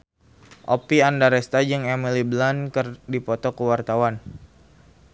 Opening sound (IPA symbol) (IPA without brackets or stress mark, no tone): ʔ